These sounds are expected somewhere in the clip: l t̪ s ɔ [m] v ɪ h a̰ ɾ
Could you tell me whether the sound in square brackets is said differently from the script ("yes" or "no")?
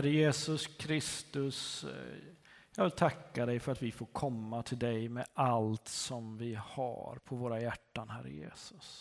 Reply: no